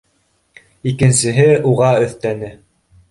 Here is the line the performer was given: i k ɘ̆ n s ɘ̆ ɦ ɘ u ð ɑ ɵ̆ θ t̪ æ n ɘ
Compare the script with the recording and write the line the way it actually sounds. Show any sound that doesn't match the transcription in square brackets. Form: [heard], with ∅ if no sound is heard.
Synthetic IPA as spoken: i k ɘ̆ n s ɘ̆ ɦ ɘ u [ʁ] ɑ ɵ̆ θ t̪ æ n ɘ

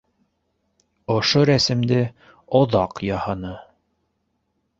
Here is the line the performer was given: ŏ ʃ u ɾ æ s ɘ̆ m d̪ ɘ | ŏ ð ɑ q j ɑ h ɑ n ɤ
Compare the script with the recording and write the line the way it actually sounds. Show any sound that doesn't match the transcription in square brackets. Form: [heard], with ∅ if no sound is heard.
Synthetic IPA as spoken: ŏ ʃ [o] ɾ æ s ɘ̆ m d̪ ɘ | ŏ ð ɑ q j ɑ h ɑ n ɤ

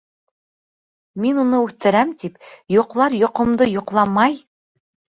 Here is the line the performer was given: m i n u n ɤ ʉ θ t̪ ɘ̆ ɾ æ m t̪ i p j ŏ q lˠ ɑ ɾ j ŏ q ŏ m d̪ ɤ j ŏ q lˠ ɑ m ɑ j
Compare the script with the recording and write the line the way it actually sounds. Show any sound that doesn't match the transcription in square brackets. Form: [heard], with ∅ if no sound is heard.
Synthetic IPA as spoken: m i n u n ɤ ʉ θ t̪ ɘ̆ ɾ æ m t̪ i p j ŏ q lˠ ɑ ɾ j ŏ q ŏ m d̪ ɤ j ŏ q lˠ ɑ m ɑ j

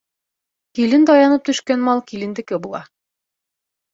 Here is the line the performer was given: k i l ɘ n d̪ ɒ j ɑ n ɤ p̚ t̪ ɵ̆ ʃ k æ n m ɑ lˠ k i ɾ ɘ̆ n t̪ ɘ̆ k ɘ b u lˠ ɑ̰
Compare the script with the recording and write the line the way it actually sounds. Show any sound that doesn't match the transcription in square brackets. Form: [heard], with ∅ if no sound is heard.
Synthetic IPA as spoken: k i l ɘ n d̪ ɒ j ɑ n ɤ p̚ t̪ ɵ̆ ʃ k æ n m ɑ lˠ k i [l] ɘ̆ n [d̪] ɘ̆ k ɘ b u lˠ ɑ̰

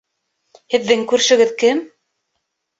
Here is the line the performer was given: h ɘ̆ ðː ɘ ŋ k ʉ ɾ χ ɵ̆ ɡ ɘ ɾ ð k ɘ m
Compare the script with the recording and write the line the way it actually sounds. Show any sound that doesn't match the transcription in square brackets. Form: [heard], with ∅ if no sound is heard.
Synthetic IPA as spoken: h ɘ̆ ðː ɘ ŋ k ʉ ɾ [ʃ] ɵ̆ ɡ ɘ [∅] ð k ɘ m

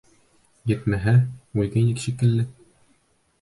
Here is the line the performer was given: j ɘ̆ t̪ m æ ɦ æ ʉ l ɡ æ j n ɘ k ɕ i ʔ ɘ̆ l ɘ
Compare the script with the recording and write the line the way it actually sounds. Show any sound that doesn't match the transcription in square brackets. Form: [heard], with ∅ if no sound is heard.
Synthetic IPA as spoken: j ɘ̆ t̪ m æ ɦ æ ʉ l ɡ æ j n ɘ k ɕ i [k] ɘ̆ [lː] ɘ

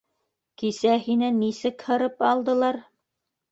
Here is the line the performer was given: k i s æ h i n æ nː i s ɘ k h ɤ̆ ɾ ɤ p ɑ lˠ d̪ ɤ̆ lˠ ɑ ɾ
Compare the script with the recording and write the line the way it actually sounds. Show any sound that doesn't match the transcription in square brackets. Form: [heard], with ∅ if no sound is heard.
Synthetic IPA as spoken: k i s æ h i n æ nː i s ɘ k h ɤ̆ ɾ ɤ p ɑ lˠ d̪ ɤ̆ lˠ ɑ ɾ

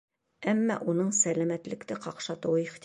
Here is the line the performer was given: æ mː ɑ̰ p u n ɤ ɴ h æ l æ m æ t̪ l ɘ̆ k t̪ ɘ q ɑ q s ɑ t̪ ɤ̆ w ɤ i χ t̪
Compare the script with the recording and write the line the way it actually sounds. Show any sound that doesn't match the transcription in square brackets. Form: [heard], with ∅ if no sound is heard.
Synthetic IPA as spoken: æ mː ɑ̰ [ʔ] u n ɤ ɴ [s] æ l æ m æ t̪ l ɘ̆ k t̪ ɘ q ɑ q [ʃ] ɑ t̪ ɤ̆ w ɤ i χ t̪

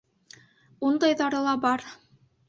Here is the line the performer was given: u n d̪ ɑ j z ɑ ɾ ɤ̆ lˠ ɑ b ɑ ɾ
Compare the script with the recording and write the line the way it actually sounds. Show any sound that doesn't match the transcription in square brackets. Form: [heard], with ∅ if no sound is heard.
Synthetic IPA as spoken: u n d̪ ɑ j [ð] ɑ ɾ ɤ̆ lˠ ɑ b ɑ ɾ

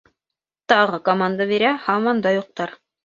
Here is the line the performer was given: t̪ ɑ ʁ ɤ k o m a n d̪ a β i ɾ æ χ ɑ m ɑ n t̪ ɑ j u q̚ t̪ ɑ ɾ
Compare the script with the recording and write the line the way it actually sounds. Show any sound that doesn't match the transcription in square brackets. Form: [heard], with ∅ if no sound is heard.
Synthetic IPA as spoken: t̪ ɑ ʁ ɤ k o m a n d̪ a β i ɾ æ [h] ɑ m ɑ n [d̪] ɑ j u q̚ t̪ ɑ ɾ

